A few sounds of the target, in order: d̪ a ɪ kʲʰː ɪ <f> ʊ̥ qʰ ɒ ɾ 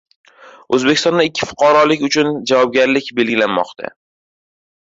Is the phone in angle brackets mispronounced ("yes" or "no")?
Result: no